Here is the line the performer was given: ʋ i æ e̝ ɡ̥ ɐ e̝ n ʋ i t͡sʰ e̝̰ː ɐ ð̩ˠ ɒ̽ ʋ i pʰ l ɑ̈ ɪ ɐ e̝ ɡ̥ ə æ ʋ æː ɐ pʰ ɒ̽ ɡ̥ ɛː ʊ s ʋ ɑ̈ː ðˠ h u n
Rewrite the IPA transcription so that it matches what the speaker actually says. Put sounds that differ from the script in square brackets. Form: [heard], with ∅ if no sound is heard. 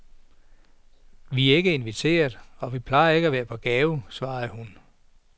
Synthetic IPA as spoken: ʋ i æ e̝ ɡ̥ [ə] e̝ n ʋ i t͡sʰ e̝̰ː ɐ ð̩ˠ ɒ̽ ʋ i pʰ l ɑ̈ ɪ ɐ e̝ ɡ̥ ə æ ʋ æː ɐ pʰ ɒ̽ ɡ̥ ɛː ʊ s ʋ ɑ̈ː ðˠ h u n

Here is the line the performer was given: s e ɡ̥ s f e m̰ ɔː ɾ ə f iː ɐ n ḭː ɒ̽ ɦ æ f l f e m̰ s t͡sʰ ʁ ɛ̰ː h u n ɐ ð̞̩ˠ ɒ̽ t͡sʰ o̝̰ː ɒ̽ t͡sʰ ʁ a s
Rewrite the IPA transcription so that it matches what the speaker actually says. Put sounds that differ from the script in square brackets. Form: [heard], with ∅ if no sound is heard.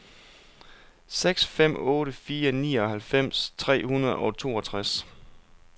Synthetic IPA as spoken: s e ɡ̥ s f e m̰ ɔː ɾ ə f iː ɐ n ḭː ɒ̽ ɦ æ [∅] l f e m̰ s t͡sʰ ʁ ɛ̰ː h u n ɐ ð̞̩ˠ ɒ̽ t͡sʰ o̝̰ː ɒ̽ t͡sʰ ʁ a s

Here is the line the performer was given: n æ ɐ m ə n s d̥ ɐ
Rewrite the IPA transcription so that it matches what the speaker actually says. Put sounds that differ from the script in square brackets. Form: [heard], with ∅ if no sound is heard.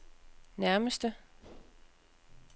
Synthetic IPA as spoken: n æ ɐ m ə [∅] s d̥ [ə]

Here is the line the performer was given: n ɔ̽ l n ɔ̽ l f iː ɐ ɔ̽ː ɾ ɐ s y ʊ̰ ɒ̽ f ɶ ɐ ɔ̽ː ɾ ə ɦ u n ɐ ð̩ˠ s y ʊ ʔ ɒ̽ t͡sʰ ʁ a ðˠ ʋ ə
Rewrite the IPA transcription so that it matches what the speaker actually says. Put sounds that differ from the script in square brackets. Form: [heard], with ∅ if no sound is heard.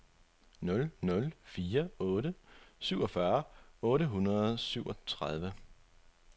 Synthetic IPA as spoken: n ɔ̽ l n ɔ̽ l f iː ɐ ɔ̽ː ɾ [ə] s y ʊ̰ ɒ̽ f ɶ ɐ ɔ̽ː ɾ ə ɦ u n ɐ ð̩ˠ s y ʊ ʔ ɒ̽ t͡sʰ ʁ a ðˠ ʋ ə

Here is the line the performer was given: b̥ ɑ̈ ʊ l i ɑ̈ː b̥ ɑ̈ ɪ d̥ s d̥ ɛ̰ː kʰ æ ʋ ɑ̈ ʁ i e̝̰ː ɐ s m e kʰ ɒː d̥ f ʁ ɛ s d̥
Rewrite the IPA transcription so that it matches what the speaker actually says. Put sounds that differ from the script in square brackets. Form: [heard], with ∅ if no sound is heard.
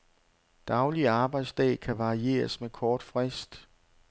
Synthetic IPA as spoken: [d̥] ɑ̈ ʊ l i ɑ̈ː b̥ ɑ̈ ɪ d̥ s d̥ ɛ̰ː kʰ æ ʋ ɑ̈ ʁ i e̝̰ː ɐ s m e kʰ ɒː d̥ f ʁ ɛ s d̥

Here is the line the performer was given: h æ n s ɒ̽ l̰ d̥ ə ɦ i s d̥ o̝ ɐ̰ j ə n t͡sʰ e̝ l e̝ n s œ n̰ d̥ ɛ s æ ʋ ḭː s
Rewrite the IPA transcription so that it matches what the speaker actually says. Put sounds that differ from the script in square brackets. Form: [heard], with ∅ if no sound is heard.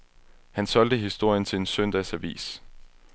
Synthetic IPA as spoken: h æ n s ɒ̽ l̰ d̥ ə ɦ i s d̥ o̝ ɐ̰ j ə n t͡sʰ e̝ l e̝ n s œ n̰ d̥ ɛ s æ ʋ ḭː s

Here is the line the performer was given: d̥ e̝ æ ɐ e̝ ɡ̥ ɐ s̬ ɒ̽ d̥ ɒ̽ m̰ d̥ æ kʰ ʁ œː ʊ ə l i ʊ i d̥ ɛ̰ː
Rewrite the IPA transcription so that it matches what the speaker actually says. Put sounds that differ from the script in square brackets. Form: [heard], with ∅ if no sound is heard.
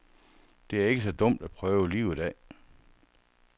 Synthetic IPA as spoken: d̥ e̝ æ ɐ e̝ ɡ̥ [ə] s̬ ɒ̽ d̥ [ɔ̽] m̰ d̥ æ [pʰ] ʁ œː ʊ ə l i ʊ i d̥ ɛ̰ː

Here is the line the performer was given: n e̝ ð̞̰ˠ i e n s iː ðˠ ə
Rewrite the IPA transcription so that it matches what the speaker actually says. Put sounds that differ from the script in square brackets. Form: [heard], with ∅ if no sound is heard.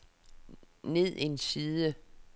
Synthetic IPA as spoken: n e̝ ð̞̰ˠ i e n s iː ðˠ ə

